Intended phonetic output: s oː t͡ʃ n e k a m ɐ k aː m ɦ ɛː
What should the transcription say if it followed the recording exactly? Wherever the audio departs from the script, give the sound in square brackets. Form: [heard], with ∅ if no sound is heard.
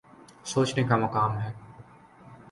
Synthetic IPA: s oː t͡ʃ n e k a m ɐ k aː m ɦ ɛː

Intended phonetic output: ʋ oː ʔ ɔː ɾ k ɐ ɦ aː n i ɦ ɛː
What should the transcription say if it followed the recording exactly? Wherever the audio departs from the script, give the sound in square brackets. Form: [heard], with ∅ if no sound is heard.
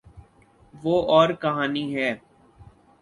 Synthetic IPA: ʋ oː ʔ ɔː ɾ k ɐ ɦ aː n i ɦ ɛː

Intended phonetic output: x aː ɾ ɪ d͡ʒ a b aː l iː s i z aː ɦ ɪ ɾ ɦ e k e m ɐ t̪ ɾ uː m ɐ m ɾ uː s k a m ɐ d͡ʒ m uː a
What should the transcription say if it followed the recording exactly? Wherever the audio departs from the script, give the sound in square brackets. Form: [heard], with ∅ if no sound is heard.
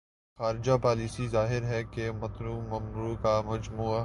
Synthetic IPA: x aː ɾ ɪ d͡ʒ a [p] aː l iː s i z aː ɦ ɪ ɾ ɦ [ɛ] k e m ɐ t̪ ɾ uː m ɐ m ɾ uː [∅] k a m ɐ d͡ʒ m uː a

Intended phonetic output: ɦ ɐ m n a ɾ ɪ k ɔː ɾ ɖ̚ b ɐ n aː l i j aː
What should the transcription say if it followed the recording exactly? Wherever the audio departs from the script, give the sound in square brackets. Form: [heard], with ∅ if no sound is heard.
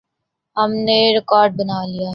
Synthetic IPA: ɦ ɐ m n [e] ɾ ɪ k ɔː ɾ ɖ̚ b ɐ n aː l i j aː

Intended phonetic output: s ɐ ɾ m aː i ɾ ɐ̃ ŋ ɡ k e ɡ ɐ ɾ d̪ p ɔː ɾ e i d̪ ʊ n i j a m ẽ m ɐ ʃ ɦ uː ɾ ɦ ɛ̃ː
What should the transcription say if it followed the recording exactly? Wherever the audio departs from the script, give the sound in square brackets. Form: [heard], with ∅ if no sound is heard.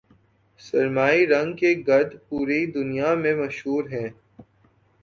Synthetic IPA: s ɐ ɾ m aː i ɾ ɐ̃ ŋ ɡ k e ɡ ɐ ɾ d̪ p [uː] ɾ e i d̪ ʊ n i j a m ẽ m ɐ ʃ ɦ uː ɾ ɦ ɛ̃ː

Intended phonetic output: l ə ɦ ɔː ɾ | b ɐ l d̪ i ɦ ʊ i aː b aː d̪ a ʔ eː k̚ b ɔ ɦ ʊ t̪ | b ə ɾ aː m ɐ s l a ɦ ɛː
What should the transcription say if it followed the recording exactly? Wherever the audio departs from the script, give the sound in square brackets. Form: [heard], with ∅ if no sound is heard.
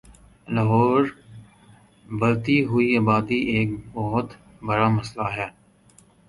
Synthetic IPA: l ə ɦ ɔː ɾ | b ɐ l [t̪] i ɦ ʊ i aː b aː d̪ [i] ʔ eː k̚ b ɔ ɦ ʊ t̪ | b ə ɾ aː m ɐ s l a ɦ ɛː

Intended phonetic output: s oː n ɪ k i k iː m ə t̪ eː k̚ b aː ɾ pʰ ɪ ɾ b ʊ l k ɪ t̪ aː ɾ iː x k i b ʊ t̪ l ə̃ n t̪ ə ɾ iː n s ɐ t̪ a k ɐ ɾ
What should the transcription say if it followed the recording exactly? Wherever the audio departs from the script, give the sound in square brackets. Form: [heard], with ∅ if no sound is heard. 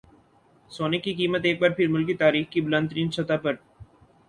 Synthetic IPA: s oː n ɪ k i k iː m ə t̪ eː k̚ b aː ɾ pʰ ɪ ɾ [m] ʊ l k [i] t̪ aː ɾ iː x k i b ʊ [∅] l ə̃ n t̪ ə ɾ iː n s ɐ t̪ a [p] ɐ ɾ

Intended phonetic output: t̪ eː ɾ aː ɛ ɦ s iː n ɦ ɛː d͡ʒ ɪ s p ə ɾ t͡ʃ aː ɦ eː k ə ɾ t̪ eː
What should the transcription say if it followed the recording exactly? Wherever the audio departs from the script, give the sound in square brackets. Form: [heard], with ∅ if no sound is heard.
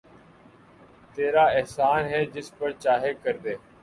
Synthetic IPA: t̪ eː ɾ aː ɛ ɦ s [aː] n ɦ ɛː d͡ʒ ɪ s p ə ɾ t͡ʃ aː ɦ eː k ə ɾ [d̪] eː

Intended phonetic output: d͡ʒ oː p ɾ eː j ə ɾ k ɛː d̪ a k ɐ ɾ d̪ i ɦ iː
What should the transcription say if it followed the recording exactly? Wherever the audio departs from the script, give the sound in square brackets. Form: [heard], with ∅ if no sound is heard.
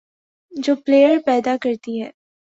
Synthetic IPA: d͡ʒ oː p [l] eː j ə ɾ [p] ɛː d̪ a k ɐ ɾ [t̪] i ɦ [ɛː]

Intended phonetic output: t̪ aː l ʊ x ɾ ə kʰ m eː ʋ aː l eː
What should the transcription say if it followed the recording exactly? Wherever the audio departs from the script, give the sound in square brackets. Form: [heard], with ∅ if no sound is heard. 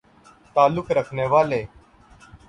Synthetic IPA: t̪ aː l ʊ [k] ɾ ə kʰ [n] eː ʋ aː l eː

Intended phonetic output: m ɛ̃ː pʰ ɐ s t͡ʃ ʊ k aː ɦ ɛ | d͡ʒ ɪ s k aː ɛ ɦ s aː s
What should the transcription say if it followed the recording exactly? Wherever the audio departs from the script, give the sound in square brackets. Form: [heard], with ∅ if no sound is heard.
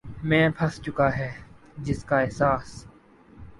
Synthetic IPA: m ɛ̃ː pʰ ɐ s t͡ʃ ʊ k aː ɦ [ɛː] | d͡ʒ ɪ s k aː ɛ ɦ s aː s

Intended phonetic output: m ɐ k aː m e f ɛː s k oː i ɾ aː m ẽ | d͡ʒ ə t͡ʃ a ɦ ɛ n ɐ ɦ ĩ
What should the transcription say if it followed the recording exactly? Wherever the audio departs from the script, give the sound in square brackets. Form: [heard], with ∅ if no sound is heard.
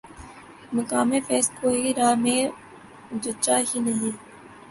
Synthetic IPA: m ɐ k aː m e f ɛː s k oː i ɾ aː m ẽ | d͡ʒ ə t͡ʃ a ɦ [i] n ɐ ɦ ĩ

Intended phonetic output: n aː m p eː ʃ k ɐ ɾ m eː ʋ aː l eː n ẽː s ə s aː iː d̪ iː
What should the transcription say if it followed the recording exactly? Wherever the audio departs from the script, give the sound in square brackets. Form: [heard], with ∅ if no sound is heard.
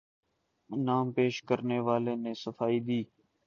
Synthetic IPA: n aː m p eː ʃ k [ə] ɾ [n] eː ʋ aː l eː n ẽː s ə [f] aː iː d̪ iː

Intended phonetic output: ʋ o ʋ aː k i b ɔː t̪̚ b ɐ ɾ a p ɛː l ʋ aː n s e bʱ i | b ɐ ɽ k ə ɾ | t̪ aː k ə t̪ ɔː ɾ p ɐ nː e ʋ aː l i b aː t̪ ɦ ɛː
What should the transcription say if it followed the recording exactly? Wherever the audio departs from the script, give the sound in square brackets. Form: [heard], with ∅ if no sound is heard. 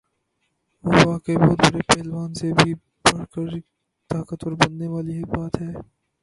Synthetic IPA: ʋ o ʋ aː k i b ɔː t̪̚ b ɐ ɾ [e] p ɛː l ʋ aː n s e bʱ i | b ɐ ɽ k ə ɾ | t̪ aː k ə t̪ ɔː ɾ [b] ɐ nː e ʋ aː l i b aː t̪ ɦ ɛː

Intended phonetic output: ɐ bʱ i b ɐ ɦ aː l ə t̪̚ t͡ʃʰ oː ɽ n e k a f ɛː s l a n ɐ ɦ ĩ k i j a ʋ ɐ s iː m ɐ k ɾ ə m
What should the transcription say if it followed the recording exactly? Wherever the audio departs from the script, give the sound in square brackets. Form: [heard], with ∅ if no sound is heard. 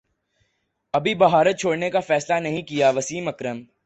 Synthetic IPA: ɐ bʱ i b ɐ ɦ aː [ɾ] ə t̪̚ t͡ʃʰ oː ɽ n e k a f ɛː s l a n ɐ ɦ ĩ k i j a ʋ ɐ s iː m ɐ k ɾ ə m

